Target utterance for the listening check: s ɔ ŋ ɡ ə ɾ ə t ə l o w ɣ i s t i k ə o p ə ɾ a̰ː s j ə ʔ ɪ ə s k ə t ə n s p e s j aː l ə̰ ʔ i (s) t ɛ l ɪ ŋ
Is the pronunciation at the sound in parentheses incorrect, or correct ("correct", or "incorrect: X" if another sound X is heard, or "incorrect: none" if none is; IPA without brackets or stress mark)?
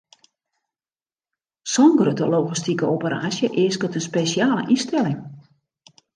correct